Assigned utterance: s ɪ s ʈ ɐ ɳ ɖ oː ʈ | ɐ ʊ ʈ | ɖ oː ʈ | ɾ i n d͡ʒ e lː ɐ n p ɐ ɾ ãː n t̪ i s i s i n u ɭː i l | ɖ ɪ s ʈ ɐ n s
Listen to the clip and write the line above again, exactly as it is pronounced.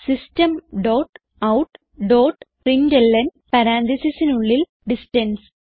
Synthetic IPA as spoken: s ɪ s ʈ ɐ m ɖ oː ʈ | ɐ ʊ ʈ | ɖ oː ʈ | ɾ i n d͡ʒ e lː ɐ n p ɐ ɾ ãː n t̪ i s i s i n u ɭː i l | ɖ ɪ s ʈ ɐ n s